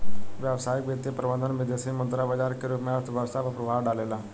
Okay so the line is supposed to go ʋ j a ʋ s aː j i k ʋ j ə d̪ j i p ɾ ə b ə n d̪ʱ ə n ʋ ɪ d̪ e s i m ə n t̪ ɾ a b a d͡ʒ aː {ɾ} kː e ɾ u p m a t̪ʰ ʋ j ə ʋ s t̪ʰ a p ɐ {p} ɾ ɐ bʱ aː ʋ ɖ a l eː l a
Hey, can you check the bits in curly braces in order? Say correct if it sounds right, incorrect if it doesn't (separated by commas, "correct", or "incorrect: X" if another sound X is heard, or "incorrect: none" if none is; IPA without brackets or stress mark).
correct, correct